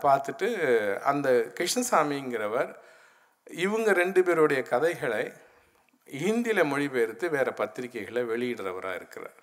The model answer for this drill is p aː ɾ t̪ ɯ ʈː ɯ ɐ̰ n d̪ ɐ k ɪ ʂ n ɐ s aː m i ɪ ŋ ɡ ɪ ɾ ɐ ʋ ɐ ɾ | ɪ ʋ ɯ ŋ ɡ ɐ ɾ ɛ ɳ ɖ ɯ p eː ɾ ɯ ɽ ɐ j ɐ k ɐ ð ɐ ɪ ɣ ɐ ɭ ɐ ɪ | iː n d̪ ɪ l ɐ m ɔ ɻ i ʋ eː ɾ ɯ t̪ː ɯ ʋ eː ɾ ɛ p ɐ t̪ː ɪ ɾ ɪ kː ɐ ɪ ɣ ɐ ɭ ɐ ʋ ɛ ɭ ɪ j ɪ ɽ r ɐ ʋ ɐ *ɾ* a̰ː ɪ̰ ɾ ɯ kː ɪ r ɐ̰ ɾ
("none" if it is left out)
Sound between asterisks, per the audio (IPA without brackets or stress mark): ɾ